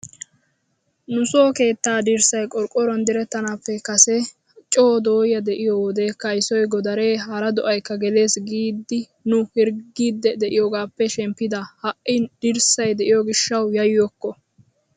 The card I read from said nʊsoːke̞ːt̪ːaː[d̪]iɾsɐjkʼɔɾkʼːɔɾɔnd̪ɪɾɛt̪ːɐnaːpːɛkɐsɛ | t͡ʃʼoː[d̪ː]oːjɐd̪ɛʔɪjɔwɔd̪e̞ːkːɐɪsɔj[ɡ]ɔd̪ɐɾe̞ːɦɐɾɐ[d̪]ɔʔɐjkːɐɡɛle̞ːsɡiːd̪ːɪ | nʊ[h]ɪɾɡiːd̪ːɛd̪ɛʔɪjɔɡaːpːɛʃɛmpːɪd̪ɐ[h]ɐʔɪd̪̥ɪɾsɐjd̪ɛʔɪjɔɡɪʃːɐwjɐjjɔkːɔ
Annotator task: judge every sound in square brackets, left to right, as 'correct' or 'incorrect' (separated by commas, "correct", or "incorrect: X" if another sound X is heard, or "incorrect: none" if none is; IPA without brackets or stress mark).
correct, incorrect: d̪, correct, correct, correct, correct